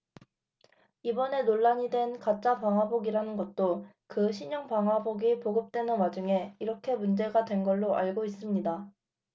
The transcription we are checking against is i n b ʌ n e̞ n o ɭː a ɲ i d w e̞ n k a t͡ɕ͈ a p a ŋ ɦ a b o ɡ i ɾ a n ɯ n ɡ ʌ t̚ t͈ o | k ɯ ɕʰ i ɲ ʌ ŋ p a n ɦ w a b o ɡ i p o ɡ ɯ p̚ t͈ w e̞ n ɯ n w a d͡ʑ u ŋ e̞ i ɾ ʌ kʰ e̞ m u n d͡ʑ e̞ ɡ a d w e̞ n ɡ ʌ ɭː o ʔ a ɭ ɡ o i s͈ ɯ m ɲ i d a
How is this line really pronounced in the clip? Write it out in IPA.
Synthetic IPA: i b ʌ n e̞ n o ɭː a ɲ i d w e̞ n k a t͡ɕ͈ a p a ŋ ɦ a b o ɡ i ɾ a n ɯ n ɡ ʌ t̚ t͈ o | k ɯ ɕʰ i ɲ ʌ ŋ p a ŋ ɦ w a b o ɡ i p o ɡ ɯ p̚ t͈ w e̞ n ɯ n w a d͡ʑ u ŋ e̞ i ɾ ʌ kʰ e̞ m u n d͡ʑ e̞ ɡ a d w e̞ n ɡ ʌ ɭː o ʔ a ɭ ɡ o i s͈ ɯ m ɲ i d a

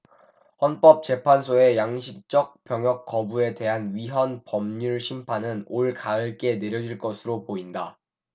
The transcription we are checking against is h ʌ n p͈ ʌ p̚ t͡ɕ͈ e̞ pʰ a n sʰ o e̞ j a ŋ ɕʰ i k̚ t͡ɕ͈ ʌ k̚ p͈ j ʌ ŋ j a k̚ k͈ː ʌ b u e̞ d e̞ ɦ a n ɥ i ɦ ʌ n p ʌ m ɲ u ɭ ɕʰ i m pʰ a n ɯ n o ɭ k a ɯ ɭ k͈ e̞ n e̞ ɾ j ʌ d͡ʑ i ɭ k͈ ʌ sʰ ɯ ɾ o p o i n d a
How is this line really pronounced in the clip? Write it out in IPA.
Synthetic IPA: h ʌ n p͈ ʌ p̚ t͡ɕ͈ e̞ pʰ a n sʰ o e̞ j a ŋ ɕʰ i k̚ t͡ɕ͈ ʌ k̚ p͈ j ʌ ŋ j ʌ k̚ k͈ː ʌ b u e̞ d e̞ ɦ a n ɥ i ɦ ʌ n p ʌ m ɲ u ɭ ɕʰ i m pʰ a n ɯ n o ɭ k a ɯ ɭ k͈ e̞ n e̞ ɾ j ʌ d͡ʑ i ɭ k͈ ʌ sʰ ɯ ɾ o p o i n d a

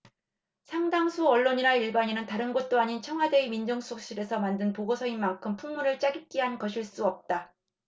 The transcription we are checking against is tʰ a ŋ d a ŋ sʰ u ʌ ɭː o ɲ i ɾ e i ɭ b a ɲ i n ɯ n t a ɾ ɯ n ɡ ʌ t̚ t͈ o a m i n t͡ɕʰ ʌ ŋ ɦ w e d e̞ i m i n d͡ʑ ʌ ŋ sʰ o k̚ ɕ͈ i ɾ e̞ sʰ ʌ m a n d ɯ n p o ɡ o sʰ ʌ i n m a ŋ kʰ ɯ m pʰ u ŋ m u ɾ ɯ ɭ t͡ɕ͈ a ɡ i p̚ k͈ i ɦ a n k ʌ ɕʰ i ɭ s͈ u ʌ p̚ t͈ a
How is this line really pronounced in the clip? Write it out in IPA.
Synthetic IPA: sʰ a ŋ d a ŋ sʰ u ʌ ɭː o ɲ i ɾ a i ɭ b a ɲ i n ɯ n t a ɾ ɯ n ɡ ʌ t̚ t͈ o a ɲ i n t͡ɕʰ ʌ ŋ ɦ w a d e̞ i m i n d͡ʑ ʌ ŋ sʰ o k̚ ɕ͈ i ɾ e̞ sʰ ʌ m a n d ɯ n p o ɡ o sʰ ʌ i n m a ŋ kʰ ɯ m pʰ u ŋ m u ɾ ɯ ɭ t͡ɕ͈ a ɡ i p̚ k͈ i ɦ a n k ʌ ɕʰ i ɭ s͈ u ʌ p̚ t͈ a

